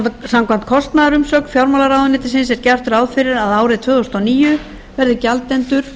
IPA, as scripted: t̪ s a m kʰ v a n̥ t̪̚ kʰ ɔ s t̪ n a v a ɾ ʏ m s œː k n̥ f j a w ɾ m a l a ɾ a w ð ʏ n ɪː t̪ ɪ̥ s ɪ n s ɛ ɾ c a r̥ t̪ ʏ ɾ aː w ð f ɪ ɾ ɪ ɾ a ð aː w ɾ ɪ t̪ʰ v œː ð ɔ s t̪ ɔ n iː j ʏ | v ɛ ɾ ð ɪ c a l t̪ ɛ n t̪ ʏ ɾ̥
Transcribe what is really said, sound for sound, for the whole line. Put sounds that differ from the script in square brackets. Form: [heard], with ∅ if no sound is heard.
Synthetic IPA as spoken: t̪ s a m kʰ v a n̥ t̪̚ kʰ ɔ s t̪ n a [ð] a ɾ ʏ m s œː k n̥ f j a w ɾ m a l a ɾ a w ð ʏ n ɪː t̪ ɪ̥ s ɪ n s ɛ ɾ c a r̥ t̪ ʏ ɾ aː w ð f ɪ ɾ ɪ ɾ a ð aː w ɾ ɪ t̪ʰ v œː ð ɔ s t̪ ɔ n iː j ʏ | v ɛ ɾ ð ɪ c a l t̪ ɛ n t̪ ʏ ɾ̥